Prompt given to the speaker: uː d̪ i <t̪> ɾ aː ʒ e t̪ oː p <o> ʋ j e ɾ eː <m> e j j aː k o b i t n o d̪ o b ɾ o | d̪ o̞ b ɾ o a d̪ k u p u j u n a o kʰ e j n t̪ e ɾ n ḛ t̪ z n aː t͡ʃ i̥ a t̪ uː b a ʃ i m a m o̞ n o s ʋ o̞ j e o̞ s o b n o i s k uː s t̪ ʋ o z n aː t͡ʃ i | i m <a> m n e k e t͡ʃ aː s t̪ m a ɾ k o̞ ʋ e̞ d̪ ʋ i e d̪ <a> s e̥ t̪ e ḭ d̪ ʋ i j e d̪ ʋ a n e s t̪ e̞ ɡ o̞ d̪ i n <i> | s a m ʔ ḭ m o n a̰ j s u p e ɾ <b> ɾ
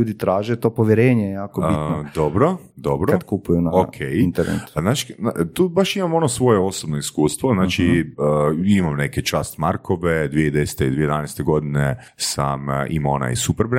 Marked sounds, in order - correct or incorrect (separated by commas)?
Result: correct, correct, incorrect, correct, incorrect, incorrect, correct